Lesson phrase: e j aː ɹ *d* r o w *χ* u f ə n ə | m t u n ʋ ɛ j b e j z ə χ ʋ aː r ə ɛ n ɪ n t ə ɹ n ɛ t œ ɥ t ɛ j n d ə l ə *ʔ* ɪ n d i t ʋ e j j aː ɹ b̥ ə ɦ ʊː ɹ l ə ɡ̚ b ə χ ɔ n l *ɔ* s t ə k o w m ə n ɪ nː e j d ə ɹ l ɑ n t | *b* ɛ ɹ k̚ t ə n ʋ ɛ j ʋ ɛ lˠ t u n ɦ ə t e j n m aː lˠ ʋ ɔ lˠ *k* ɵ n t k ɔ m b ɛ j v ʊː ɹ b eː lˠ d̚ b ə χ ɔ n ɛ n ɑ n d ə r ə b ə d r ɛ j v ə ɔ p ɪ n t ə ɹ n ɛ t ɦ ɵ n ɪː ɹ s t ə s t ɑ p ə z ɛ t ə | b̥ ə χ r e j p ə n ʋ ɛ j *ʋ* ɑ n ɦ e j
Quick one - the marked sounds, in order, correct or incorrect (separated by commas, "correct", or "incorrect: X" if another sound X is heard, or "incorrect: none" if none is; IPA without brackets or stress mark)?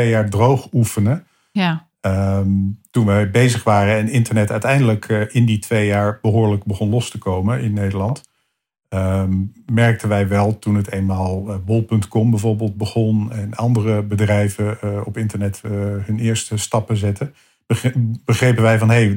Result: correct, correct, incorrect: k, correct, incorrect: m, incorrect: p, incorrect: v